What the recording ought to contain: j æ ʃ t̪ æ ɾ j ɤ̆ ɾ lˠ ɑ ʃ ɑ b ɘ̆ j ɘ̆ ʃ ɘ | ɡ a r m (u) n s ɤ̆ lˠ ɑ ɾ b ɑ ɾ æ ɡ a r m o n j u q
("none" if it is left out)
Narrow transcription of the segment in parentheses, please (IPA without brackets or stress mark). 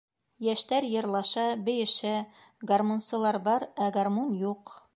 o